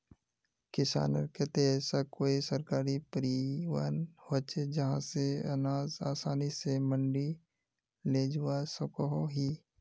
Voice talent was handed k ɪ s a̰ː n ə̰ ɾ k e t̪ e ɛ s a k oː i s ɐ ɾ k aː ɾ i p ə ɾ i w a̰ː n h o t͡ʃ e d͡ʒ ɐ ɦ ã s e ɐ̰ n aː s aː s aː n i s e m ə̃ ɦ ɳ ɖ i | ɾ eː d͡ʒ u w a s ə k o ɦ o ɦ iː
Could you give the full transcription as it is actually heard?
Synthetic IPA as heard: k ɪ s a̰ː n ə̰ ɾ k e t̪ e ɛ s a k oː i s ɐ ɾ k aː ɾ i p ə ɾ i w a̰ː n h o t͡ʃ e d͡ʒ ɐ ɦ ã s e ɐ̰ n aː z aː s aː n i s e m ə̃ ɳ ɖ i | l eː d͡ʒ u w a s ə k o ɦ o ɦ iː